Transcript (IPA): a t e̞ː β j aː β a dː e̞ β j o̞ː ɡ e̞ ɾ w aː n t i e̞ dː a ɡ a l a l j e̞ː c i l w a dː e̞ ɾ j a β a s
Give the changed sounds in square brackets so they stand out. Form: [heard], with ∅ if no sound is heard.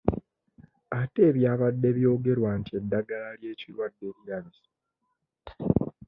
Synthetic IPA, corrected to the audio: a t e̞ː β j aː β a dː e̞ β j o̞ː ɡ e̞ ɾ w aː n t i e̞ dː a ɡ a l a l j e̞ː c i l w a dː e̞ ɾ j a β [i] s